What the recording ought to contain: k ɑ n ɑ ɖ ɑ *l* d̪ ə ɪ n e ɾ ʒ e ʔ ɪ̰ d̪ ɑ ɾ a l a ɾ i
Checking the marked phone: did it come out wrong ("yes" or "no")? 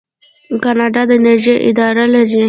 yes